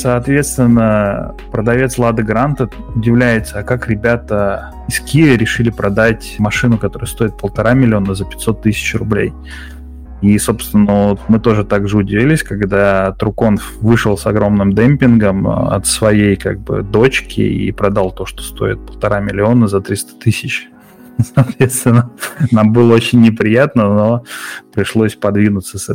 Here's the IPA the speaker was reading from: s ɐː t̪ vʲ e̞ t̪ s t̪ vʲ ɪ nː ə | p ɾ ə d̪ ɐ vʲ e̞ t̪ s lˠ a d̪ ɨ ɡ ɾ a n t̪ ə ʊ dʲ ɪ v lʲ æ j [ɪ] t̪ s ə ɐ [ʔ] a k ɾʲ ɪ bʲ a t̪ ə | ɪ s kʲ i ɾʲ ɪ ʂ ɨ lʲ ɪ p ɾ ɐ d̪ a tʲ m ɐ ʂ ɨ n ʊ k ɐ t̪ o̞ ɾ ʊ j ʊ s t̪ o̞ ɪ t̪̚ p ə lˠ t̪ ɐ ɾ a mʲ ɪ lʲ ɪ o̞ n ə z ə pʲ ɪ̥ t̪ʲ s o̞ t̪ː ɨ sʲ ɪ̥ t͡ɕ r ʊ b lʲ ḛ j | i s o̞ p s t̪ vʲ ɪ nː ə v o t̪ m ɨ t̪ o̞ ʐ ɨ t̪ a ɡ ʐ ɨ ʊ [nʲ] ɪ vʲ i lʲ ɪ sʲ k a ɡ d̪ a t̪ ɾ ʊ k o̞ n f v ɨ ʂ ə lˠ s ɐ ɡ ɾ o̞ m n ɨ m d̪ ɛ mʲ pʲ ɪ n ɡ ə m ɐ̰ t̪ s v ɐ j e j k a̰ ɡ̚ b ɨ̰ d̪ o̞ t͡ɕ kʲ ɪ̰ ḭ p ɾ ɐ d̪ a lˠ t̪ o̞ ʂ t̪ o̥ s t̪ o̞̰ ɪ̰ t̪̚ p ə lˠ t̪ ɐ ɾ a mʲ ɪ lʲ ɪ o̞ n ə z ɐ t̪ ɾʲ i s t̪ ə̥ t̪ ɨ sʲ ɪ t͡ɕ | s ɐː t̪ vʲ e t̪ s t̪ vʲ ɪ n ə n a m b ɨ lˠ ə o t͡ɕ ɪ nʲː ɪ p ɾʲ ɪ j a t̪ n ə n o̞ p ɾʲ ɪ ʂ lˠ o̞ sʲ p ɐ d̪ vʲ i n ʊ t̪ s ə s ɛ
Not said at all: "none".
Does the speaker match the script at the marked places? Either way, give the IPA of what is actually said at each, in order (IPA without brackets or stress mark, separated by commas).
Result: ɪ, k, dʲ